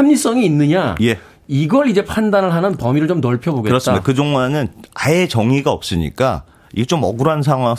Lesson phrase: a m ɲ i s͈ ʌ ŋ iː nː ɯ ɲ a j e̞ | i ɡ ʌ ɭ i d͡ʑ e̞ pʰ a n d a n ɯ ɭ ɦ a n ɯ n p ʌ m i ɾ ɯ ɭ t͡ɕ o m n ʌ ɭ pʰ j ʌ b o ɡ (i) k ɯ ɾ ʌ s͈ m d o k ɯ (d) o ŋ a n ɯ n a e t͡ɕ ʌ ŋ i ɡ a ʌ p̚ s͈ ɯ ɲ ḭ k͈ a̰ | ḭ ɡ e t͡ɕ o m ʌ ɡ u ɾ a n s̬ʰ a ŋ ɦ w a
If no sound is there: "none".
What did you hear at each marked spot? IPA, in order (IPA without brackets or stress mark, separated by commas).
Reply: e, d͡ʑ